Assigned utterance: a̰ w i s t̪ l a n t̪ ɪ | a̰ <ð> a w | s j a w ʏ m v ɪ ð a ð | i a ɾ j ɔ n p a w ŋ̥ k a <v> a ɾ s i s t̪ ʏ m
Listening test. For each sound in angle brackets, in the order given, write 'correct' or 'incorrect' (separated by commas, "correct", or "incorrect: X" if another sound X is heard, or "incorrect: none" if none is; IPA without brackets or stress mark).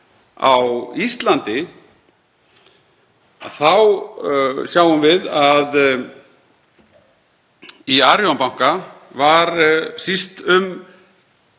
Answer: incorrect: θ, correct